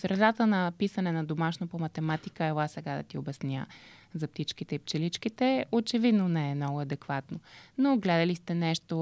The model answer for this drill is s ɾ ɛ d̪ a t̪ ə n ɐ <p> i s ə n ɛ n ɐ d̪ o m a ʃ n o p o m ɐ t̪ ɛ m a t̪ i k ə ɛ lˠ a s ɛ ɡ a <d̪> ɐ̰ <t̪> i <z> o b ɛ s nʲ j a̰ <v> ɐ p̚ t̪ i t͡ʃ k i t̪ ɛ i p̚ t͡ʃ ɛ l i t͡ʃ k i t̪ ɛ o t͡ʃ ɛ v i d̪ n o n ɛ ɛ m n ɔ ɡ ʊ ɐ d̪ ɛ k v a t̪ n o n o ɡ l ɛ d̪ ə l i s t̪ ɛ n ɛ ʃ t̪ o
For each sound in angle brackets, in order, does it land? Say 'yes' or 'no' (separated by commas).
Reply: yes, yes, yes, no, no